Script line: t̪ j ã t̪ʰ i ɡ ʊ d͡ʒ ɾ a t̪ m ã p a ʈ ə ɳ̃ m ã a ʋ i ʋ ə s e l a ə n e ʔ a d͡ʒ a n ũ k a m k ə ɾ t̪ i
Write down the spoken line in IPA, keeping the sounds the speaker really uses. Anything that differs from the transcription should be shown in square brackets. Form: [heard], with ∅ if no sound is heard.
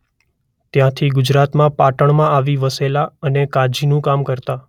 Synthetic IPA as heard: t̪ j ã t̪ʰ i ɡ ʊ d͡ʒ ɾ a t̪ m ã p a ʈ ə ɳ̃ m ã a ʋ i ʋ ə s e l a ə n e [k] a d͡ʒ [i] n ũ k a m k ə ɾ t̪ [a]